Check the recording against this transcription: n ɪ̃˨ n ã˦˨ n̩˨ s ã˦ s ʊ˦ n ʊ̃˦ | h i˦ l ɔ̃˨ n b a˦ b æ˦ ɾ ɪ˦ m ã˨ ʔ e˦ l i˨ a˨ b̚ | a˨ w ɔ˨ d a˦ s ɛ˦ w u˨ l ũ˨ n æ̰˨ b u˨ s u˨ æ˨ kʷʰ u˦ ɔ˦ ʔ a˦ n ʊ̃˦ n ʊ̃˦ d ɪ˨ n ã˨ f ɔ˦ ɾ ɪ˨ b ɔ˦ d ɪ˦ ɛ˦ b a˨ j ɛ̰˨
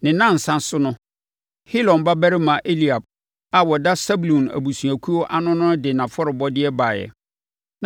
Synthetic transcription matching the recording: n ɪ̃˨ n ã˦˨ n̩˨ s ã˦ s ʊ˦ n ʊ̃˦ | h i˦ l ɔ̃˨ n b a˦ b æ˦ ɾ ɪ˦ m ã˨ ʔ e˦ l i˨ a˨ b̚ | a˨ w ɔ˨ d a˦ s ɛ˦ b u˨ l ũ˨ n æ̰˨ b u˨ s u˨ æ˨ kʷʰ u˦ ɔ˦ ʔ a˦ n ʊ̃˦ n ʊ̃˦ d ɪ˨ n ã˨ f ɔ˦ ɾ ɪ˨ b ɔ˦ d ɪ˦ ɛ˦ b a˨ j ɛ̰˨